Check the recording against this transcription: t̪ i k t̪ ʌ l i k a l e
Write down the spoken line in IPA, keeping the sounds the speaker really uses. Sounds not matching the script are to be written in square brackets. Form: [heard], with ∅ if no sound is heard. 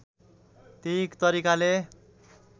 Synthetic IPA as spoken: t̪ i k t̪ ʌ [ɾ] i k a l e